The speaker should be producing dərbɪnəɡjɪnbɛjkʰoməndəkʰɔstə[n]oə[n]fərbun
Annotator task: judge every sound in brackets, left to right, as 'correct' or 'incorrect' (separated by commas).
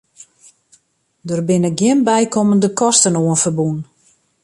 correct, correct